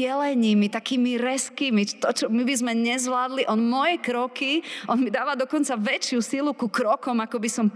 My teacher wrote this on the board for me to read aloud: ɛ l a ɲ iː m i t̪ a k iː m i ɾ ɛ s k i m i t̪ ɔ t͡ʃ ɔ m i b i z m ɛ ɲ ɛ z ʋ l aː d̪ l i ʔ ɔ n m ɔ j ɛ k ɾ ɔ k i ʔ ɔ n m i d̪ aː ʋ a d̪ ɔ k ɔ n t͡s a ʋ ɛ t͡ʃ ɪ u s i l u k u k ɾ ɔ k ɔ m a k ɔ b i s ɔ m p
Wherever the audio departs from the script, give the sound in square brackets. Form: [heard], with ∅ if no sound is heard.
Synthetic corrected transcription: ɛ l [ɛ] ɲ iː m i t̪ a k iː m i ɾ ɛ s k i m i t̪ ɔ t͡ʃ ɔ m i b i z m ɛ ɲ ɛ z ʋ l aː d̪ l i ʔ ɔ n m ɔ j ɛ k ɾ ɔ k i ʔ ɔ n m i d̪ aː ʋ a d̪ ɔ k ɔ n t͡s a ʋ ɛ t͡ʃ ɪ u s i l u k u k ɾ ɔ k ɔ m a k ɔ b i s ɔ m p